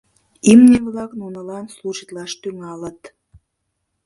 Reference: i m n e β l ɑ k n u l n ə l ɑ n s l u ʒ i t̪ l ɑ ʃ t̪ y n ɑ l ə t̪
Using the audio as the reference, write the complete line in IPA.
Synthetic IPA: i m n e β l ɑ k n u n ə l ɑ n s l u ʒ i t̪ l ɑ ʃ t̪ y ŋ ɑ l ə t̪